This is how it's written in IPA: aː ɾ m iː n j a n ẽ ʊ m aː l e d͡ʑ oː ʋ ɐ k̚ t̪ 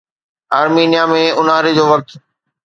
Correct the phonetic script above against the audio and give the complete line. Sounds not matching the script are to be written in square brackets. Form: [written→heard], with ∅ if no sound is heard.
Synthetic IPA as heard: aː ɾ m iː n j a [n→m] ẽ ʊ [m→n] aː [l→ɾ] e d͡ʑ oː ʋ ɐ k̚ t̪